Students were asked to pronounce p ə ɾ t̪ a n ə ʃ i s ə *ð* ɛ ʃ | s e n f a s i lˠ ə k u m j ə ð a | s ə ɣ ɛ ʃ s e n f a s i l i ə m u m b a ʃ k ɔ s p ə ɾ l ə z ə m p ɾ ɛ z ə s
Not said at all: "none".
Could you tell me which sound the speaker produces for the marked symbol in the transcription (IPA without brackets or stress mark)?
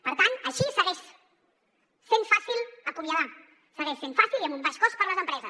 ɣ